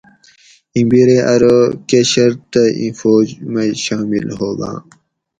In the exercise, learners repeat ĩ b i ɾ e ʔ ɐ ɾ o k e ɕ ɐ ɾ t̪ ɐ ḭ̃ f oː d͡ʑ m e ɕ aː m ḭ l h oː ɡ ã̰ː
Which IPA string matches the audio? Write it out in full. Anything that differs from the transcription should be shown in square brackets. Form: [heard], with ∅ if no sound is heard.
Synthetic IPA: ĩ b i ɾ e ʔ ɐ ɾ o k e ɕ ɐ ɾ t̪ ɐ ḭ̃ f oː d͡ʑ m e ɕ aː m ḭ l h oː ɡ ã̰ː